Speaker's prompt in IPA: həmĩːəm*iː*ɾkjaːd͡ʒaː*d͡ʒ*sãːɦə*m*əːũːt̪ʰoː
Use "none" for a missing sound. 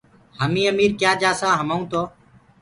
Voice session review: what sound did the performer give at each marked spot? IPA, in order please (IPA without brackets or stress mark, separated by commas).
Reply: iː, none, m